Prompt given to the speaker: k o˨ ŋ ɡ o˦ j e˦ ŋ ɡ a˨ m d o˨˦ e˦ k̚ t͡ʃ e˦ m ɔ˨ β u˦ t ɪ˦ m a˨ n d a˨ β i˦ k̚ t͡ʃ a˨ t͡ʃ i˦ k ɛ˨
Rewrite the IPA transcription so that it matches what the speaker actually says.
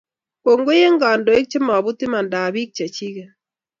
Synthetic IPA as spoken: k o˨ ŋ ɡ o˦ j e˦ ŋ ɡ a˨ n d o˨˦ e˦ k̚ t͡ʃ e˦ m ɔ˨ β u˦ t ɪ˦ m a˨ n d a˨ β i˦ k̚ t͡ʃ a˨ t͡ʃ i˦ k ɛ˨

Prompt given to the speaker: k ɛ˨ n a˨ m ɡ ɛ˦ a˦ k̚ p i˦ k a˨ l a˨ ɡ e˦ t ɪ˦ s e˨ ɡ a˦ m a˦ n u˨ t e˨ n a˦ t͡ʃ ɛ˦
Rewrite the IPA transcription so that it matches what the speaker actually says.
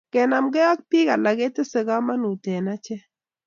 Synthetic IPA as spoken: k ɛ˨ n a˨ m ɡ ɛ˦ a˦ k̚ p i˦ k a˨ l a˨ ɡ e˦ t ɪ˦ s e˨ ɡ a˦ m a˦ n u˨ t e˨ n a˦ t͡ʃ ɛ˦

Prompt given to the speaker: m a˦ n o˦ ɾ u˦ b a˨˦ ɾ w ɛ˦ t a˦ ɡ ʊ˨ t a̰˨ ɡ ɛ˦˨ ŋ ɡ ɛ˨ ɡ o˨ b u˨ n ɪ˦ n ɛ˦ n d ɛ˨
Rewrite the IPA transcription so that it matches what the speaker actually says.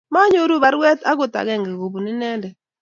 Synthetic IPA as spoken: m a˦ ɲ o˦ ɾ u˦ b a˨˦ ɾ w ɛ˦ t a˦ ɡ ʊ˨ t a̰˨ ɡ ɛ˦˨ ŋ ɡ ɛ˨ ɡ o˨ b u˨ n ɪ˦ n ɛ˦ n d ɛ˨

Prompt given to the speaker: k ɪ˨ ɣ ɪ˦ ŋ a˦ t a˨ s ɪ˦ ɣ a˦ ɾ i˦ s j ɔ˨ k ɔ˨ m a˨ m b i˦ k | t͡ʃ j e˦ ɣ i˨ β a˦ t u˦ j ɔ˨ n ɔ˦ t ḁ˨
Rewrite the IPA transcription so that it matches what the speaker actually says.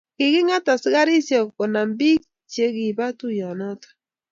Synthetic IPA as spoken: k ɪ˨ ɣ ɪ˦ ŋ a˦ t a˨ s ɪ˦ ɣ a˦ ɾ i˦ s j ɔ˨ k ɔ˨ n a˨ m b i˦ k | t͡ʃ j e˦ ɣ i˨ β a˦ t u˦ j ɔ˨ n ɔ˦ t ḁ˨

